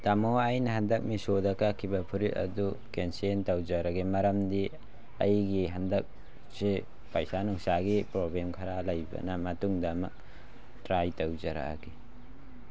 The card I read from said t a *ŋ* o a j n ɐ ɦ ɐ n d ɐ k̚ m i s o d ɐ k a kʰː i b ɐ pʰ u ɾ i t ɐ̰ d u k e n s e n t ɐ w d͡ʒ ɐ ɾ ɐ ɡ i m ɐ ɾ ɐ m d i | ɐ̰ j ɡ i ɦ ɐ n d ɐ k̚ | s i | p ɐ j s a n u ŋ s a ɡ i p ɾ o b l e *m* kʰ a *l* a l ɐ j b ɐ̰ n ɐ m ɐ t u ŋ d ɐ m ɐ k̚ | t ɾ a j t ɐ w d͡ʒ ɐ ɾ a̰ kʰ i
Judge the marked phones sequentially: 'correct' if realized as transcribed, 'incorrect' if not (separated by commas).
incorrect, correct, incorrect